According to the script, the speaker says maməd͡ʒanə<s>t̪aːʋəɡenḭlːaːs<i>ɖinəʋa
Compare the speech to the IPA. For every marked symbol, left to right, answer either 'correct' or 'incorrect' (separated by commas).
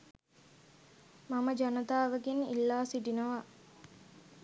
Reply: incorrect, correct